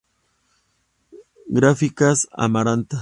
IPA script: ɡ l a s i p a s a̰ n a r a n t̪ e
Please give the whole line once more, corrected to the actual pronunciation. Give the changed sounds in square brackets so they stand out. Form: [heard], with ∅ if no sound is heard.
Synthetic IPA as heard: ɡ [ɾ] a [f] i [k] a s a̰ [m] a [ɾ] a n t̪ [a]